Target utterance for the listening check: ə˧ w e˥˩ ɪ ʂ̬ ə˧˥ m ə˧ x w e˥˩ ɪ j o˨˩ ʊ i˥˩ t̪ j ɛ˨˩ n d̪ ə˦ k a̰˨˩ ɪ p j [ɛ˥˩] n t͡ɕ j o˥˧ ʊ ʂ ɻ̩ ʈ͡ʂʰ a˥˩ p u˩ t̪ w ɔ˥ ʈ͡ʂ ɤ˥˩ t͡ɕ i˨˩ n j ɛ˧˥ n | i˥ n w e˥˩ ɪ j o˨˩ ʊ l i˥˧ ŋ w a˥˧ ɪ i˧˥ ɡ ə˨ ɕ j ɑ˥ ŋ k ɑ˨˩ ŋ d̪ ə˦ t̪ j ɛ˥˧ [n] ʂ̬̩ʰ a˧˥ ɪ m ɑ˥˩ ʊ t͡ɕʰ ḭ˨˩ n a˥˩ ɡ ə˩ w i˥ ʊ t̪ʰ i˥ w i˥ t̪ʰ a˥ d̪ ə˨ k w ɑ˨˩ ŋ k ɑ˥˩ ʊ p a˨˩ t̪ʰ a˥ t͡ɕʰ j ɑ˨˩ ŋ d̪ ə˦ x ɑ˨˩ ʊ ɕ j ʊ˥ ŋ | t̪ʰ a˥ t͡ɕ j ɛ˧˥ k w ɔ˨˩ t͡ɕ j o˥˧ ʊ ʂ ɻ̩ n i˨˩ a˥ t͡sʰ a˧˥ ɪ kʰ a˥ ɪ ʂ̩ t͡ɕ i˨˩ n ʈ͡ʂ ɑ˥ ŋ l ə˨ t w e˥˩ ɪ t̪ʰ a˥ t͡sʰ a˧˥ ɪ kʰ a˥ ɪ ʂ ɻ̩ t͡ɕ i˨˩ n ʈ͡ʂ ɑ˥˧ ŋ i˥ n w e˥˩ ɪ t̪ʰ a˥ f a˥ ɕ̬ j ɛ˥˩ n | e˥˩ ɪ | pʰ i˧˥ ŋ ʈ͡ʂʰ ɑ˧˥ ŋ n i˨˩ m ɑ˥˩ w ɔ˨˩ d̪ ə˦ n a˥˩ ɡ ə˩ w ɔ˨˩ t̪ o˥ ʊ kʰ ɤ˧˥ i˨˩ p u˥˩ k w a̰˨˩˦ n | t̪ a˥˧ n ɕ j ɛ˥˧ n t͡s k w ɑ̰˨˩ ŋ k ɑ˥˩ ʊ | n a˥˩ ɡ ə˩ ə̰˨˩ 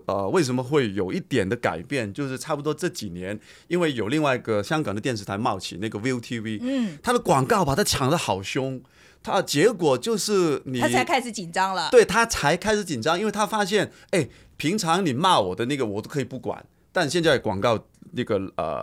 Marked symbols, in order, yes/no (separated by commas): yes, yes